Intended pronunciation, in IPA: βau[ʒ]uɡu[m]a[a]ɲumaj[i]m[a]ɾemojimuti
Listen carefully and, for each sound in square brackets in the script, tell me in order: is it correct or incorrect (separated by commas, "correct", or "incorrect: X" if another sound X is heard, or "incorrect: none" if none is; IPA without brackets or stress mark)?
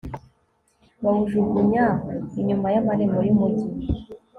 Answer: correct, incorrect: ɲ, incorrect: i, incorrect: a, correct